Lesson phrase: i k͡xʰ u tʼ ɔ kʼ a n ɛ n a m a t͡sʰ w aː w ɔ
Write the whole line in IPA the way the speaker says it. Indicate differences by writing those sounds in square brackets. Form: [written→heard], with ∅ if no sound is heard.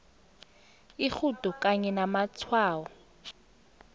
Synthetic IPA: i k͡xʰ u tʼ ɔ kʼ a [n→ɲ] ɛ n a m a t͡sʰ w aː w ɔ